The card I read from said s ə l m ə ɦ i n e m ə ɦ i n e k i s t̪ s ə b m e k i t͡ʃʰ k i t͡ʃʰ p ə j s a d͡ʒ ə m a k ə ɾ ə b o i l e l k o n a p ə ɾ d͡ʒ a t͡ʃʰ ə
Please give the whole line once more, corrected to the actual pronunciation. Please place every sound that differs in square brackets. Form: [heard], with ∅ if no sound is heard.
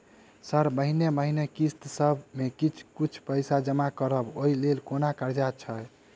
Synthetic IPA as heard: s ə [ɾ] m ə ɦ i n e m ə ɦ i n e k i s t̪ s ə b m e k i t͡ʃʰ k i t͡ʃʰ p ə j s a d͡ʒ ə m a k ə ɾ ə b o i l e l k o n a [k] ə ɾ d͡ʒ a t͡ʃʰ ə